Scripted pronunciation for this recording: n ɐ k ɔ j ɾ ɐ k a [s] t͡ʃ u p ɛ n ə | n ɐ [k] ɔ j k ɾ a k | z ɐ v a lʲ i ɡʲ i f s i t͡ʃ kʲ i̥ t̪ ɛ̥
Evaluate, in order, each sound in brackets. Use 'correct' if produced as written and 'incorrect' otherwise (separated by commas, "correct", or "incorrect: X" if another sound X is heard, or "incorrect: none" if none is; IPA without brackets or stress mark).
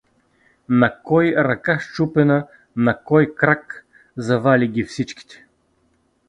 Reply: incorrect: ʃ, correct